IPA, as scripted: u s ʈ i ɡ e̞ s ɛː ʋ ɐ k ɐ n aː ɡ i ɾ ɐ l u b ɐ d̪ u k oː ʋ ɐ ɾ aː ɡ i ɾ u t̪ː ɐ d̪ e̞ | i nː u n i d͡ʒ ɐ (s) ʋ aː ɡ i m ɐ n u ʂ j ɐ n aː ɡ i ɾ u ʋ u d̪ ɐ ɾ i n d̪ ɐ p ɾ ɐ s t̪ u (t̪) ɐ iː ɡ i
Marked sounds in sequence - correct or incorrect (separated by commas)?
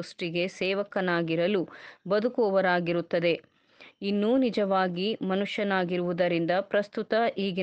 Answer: incorrect, correct